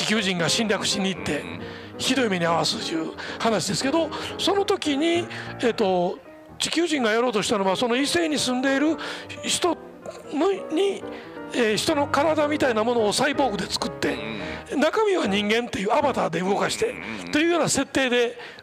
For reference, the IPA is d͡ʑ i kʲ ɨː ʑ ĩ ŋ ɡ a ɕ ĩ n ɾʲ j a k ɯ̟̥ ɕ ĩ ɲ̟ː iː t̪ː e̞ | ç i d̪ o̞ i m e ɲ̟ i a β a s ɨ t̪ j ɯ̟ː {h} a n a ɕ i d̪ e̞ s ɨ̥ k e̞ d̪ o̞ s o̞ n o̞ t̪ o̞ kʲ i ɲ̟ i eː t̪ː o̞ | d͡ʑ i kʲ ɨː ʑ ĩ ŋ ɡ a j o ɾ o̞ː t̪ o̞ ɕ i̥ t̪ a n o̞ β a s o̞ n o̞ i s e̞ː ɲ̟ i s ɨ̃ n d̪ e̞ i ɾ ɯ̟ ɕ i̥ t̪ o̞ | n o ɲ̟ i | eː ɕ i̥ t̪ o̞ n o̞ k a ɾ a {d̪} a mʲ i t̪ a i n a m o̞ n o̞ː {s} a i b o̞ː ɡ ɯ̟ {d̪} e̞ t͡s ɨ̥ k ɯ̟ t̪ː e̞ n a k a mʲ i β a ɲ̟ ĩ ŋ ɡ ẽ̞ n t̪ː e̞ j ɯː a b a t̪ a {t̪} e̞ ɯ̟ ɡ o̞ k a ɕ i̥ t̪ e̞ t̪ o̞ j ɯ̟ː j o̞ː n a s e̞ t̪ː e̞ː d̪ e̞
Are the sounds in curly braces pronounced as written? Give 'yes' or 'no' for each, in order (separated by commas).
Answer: yes, yes, yes, yes, no